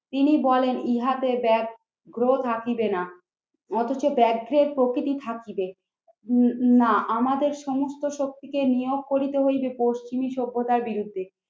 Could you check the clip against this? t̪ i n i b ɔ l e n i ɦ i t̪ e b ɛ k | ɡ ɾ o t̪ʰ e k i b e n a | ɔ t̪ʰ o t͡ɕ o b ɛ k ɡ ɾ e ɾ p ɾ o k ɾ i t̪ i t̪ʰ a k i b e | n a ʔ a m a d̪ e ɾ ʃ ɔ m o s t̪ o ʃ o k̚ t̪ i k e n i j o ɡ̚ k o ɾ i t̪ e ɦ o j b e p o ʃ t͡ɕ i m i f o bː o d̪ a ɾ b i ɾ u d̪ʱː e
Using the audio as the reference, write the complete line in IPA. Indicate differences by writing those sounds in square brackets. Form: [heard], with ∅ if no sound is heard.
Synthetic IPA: t̪ i n i b ɔ l e n i ɦ [a] t̪ e b ɛ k | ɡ ɾ o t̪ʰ [a] k i b e n a | ɔ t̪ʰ o t͡ɕ o b ɛ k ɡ ɾ e ɾ p ɾ o k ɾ i t̪ i t̪ʰ a k i b e | n a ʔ a m a d̪ e ɾ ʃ ɔ m o s t̪ o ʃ o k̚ t̪ i k e n i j o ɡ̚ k o ɾ i t̪ e ɦ o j b e p o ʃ t͡ɕ i m i [ʃ] o bː o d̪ a ɾ b i ɾ u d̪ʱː e